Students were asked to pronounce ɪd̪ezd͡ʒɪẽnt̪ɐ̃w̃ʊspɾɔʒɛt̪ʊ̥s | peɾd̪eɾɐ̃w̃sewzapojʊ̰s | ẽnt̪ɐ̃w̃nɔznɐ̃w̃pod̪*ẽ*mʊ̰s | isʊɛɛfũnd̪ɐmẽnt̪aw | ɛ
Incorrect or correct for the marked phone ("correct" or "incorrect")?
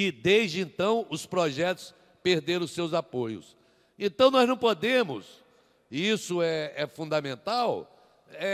correct